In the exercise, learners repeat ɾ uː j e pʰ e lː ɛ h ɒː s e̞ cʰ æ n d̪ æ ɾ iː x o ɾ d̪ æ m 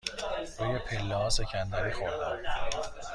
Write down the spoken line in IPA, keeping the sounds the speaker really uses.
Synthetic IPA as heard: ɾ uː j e pʰ e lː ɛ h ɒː s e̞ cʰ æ n d̪ æ ɾ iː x o ɾ d̪ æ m